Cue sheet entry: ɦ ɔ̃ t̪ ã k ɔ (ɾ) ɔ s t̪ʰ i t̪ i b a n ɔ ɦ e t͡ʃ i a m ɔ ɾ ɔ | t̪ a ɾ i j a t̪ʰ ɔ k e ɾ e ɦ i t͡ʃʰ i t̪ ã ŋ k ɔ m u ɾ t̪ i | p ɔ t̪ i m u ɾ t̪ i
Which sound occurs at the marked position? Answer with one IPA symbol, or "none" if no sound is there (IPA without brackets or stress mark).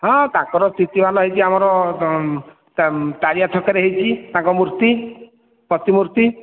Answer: ɾ